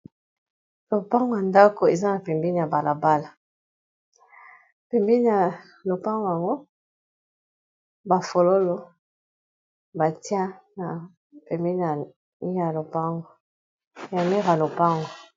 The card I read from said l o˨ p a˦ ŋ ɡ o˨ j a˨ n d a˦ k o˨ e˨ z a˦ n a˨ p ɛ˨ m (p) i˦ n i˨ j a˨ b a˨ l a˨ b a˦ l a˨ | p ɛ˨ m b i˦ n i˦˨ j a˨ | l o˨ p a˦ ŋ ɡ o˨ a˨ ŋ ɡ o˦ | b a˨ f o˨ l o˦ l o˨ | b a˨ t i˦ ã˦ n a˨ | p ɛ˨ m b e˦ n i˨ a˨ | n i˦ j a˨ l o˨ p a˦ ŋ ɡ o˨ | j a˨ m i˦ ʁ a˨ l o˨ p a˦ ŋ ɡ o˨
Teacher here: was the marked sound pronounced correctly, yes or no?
no